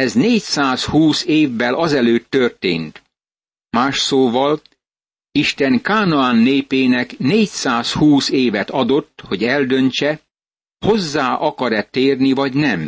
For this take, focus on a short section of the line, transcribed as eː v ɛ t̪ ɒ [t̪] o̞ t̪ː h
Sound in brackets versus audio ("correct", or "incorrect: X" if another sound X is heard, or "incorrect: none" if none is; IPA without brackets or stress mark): incorrect: d̪